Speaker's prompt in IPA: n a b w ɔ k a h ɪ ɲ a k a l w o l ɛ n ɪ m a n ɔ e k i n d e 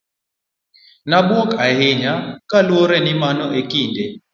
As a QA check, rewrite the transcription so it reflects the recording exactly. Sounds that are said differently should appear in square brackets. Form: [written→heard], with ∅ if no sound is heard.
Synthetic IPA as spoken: n a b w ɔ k a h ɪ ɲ a k a l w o [l→ɾ] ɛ n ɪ m a n ɔ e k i n d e